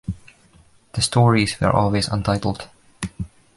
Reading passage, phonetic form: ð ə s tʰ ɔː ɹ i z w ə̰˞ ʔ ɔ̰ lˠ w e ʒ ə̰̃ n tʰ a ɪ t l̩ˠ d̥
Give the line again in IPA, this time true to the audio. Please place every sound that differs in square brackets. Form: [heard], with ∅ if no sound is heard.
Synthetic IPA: ð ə s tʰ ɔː ɹ i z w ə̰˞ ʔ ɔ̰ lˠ w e [z] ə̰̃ n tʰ a ɪ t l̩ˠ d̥